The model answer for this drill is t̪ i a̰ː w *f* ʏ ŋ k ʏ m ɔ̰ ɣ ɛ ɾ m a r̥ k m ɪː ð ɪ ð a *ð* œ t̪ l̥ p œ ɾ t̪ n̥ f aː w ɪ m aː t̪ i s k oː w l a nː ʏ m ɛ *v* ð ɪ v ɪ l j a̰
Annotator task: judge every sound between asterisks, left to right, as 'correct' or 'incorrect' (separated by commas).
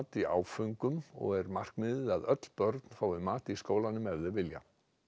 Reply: correct, correct, correct